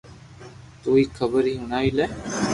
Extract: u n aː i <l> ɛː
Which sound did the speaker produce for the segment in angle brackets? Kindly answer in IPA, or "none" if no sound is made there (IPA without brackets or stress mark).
l